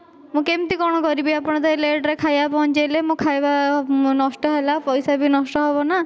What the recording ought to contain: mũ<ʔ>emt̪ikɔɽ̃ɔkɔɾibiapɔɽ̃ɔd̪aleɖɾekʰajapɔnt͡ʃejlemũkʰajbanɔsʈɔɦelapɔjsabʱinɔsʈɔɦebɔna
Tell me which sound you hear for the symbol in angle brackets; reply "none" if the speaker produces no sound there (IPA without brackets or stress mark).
k